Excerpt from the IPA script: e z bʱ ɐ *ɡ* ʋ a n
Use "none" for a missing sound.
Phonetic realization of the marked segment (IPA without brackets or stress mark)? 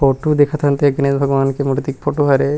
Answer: ɡ